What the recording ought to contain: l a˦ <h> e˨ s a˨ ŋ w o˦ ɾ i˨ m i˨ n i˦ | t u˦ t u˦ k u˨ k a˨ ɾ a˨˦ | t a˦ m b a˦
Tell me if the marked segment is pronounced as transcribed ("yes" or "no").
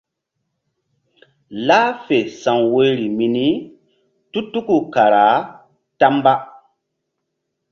no